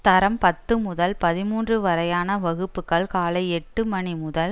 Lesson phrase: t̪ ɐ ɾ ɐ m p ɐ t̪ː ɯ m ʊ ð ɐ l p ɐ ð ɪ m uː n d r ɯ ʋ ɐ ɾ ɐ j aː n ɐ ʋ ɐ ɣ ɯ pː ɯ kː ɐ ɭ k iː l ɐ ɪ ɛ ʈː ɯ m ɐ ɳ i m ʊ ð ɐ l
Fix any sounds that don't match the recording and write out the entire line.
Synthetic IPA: t̪ ɐ ɾ ɐ m p ɐ t̪ː ɯ m ʊ ð ɐ l p ɐ ð ɪ m uː n d r ɯ ʋ ɐ ɾ ɐ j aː n ɐ ʋ ɐ ɣ ɯ pː ɯ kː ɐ ɭ k aː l ɐ ɪ ɛ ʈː ɯ m ɐ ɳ i m ʊ ð ɐ l